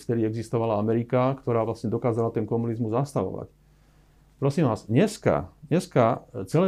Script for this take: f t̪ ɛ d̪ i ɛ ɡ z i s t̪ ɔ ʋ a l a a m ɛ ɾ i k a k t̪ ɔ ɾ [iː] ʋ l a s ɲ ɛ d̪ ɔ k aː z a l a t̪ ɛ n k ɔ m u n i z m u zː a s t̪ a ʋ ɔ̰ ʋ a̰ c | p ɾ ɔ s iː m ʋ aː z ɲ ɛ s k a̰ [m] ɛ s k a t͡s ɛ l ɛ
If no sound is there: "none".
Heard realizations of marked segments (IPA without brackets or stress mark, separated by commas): aː, ɲ